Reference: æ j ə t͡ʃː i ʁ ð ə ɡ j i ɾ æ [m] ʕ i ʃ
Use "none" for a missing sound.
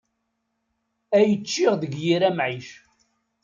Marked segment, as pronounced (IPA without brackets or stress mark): m